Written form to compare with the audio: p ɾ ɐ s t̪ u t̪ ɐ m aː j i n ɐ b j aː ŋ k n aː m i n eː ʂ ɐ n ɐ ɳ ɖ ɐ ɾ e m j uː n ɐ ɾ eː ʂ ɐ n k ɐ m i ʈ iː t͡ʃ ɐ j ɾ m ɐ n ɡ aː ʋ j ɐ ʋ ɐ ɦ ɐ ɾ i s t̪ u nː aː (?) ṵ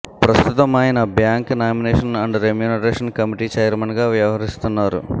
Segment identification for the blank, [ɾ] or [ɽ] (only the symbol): ɾ